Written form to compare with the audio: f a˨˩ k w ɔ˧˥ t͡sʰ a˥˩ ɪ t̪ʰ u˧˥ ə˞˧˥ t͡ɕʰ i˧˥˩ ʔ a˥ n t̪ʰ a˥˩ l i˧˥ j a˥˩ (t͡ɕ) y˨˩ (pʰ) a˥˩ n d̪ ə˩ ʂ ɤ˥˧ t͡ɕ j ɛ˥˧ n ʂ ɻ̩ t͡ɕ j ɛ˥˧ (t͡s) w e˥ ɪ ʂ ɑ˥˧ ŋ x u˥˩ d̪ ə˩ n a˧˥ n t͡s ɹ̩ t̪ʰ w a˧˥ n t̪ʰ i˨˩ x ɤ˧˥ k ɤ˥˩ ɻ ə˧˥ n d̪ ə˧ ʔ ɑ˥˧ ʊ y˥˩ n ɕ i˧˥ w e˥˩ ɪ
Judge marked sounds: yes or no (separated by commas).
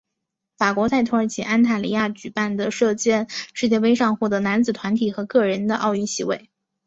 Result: yes, no, no